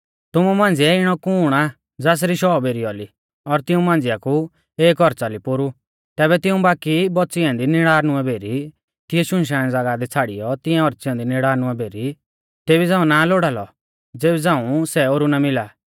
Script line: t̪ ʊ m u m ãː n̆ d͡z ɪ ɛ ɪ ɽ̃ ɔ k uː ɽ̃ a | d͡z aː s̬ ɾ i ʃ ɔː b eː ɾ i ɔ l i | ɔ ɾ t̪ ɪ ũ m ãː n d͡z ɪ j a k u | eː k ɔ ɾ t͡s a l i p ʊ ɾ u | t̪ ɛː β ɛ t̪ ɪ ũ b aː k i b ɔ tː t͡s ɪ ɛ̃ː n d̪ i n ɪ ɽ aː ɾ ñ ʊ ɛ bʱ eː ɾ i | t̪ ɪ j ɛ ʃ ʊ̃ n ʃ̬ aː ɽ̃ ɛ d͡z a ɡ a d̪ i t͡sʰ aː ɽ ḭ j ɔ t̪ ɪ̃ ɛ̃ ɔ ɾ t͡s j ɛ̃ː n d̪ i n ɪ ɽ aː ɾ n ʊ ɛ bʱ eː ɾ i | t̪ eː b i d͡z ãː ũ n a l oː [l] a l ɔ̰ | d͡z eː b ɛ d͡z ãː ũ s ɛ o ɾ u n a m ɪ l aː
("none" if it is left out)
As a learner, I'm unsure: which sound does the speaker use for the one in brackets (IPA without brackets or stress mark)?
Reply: ɽ